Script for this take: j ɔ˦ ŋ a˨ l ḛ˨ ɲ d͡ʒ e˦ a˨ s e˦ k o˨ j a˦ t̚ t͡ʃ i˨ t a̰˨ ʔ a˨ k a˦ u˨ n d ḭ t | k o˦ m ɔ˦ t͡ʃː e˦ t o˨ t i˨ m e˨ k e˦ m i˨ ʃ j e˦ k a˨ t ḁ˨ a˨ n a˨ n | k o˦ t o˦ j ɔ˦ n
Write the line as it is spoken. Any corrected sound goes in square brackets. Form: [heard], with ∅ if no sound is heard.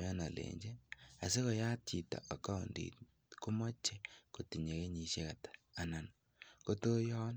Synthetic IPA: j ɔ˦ [n] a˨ l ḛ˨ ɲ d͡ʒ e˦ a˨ s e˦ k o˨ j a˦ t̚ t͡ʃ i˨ t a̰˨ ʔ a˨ k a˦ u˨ n d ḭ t | k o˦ m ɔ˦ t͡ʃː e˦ [k] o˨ t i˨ [ɲ] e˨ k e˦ [ɲ] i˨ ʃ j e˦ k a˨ t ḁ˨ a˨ n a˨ n | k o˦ t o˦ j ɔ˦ n

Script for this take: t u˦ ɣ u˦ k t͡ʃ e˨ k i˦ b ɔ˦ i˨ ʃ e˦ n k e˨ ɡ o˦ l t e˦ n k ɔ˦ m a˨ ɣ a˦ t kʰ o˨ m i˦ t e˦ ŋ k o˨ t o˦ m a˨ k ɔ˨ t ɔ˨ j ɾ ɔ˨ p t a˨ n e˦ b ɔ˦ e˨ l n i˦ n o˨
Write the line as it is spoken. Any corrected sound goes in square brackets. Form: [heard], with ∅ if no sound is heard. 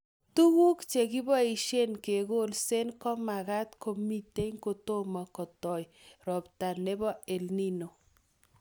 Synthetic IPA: t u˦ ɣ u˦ k t͡ʃ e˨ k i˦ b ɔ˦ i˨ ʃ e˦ n k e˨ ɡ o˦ l [s] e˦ n k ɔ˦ m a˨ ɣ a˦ t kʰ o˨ m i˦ t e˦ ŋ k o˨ t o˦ m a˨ k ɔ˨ t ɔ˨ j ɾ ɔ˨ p t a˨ n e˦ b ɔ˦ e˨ l n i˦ n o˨

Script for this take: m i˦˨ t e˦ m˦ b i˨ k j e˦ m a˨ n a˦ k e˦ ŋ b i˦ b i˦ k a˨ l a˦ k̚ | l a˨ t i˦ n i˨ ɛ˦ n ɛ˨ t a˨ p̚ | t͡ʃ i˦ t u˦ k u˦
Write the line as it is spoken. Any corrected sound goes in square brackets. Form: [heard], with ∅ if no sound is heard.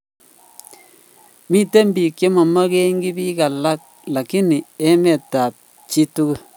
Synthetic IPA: m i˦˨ t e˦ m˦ b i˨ k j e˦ m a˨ [m] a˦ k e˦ ŋ [ɡ] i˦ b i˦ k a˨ l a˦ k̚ | l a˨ [k] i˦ n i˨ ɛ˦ [m] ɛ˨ t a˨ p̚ | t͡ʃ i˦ t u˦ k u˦

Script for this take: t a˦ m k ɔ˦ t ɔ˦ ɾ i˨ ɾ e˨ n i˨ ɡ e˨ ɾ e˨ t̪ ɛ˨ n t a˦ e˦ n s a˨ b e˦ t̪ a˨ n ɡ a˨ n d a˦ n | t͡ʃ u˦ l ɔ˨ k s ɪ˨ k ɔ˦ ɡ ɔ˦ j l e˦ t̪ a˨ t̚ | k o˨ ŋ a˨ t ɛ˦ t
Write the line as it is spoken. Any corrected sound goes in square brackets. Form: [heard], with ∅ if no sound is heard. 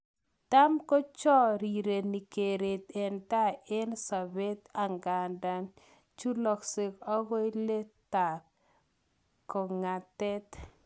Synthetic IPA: t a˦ m k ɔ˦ [t͡ʃ] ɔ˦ ɾ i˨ ɾ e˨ n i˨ [k] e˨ ɾ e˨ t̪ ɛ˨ n t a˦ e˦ n s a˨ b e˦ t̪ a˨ [ŋ] ɡ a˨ n d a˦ n | t͡ʃ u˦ l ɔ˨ k s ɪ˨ k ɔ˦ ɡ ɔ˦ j l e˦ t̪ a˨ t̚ | k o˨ ŋ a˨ t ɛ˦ t

